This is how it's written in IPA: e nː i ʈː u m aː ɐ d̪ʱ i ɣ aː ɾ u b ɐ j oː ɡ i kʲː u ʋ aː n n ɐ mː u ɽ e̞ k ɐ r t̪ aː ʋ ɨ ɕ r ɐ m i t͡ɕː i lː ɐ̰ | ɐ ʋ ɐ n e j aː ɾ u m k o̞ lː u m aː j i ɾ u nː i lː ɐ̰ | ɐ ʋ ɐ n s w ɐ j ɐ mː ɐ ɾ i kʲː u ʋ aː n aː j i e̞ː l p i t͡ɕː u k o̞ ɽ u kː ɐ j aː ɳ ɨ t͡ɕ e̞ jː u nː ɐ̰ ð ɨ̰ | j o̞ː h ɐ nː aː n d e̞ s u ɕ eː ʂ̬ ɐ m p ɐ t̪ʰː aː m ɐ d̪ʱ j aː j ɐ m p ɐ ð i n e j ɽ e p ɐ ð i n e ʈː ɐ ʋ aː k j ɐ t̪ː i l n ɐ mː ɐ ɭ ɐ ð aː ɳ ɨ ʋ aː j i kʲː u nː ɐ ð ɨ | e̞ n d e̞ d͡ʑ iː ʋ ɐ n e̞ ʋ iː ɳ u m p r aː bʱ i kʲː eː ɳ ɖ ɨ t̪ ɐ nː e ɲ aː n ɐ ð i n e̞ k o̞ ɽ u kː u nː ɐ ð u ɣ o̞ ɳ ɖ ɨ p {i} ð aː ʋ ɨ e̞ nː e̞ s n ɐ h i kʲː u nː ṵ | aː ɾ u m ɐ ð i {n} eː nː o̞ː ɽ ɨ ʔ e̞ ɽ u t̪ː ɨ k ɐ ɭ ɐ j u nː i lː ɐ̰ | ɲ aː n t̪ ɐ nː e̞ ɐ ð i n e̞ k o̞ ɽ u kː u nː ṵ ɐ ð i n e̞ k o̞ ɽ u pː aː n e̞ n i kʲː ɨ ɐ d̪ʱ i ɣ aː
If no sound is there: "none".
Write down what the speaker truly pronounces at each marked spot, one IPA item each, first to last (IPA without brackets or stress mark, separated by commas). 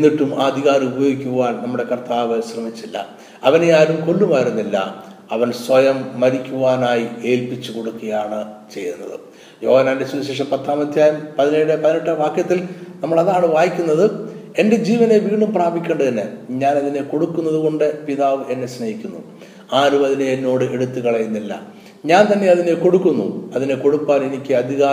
i, n